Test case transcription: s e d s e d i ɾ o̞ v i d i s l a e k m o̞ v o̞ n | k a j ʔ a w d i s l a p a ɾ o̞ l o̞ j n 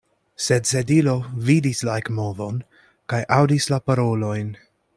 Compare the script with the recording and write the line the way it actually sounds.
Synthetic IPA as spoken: s e d s e d i l o̞ v i d i s l a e k m o̞ v o̞ n | k a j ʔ a w d i s l a p a ɾ o̞ l o̞ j n